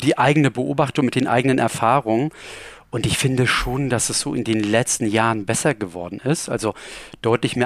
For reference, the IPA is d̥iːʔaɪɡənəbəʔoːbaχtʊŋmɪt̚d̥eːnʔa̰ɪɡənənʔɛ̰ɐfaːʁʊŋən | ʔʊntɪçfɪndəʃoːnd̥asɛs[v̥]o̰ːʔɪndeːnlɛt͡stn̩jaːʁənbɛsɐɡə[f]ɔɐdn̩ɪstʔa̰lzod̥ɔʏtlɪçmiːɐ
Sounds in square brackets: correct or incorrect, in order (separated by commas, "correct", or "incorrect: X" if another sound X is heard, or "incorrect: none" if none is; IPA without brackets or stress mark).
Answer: incorrect: z̥, incorrect: v